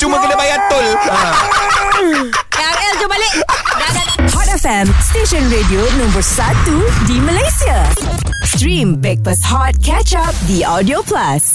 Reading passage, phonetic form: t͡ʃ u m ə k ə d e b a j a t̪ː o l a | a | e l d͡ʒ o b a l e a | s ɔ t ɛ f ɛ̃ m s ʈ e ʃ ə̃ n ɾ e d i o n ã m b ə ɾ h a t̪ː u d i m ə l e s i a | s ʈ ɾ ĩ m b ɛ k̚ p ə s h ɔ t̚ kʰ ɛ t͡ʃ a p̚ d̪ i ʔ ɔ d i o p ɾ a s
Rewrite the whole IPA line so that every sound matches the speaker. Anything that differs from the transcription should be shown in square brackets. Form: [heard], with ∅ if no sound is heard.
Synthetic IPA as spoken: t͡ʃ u m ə k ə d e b a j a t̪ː o l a | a | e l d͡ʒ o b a l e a | [h] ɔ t ɛ f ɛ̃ m s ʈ e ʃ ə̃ n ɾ e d i o n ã m b ə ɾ [s] a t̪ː u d i m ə l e s i a | s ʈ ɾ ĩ m b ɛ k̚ p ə s h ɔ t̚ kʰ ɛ t͡ʃ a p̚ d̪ i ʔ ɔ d i o p [l] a s